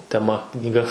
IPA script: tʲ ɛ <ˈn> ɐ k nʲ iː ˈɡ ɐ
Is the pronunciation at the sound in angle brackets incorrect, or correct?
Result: incorrect